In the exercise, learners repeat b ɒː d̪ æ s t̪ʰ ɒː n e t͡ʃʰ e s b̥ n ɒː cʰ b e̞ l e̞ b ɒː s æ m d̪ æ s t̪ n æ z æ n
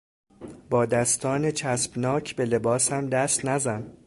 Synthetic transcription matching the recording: b ɒː d̪ æ s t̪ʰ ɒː n e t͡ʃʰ æ s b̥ n ɒː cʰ b e̞ l e̞ b ɒː s æ m d̪ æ s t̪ n æ z æ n